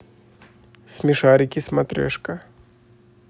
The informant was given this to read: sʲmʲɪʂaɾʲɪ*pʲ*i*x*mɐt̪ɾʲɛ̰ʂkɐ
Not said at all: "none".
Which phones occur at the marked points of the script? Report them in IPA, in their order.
kʲ, s

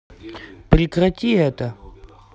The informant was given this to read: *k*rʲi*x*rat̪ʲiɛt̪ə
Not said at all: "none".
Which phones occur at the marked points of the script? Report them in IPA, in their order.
p, k

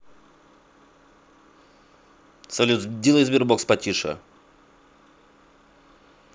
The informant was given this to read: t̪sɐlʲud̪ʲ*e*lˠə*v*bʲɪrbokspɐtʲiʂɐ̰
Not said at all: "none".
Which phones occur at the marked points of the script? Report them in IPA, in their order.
i, z

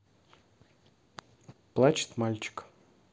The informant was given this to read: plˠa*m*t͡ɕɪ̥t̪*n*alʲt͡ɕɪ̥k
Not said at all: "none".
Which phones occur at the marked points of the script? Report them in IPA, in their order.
none, m

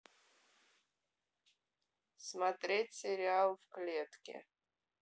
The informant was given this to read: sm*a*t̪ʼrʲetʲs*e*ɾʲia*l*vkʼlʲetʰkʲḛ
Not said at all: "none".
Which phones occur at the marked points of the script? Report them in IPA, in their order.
a, e, l

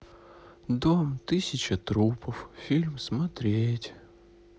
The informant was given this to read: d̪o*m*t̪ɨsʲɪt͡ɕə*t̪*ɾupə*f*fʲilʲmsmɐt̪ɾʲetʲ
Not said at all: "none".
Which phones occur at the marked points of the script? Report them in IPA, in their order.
m, t̪, f

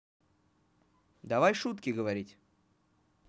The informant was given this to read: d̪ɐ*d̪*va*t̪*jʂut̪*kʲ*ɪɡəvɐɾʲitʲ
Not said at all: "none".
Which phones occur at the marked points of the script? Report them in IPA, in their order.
none, none, kʲ

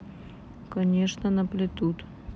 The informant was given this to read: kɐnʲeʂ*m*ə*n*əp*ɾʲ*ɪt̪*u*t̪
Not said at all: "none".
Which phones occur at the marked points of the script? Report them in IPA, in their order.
n, n, lʲ, u

